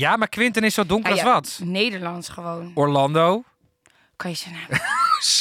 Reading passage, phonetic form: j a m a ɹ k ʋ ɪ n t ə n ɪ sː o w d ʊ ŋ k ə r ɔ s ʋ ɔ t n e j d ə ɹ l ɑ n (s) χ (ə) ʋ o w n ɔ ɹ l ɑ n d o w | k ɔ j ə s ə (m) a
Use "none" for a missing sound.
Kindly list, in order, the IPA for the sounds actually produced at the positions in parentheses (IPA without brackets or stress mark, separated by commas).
s, ə, n